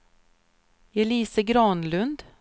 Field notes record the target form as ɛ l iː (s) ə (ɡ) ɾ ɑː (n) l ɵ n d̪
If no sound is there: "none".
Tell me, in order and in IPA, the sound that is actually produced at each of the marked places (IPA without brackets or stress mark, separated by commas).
s, ɡ, n